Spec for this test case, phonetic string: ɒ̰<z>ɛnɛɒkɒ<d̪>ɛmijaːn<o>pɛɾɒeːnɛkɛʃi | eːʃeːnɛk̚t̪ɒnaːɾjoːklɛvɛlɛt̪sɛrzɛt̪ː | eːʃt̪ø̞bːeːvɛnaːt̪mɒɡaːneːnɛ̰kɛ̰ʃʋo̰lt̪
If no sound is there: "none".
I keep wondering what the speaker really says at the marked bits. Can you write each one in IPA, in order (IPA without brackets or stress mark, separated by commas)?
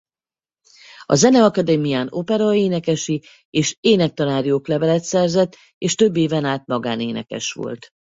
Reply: z, d̪, o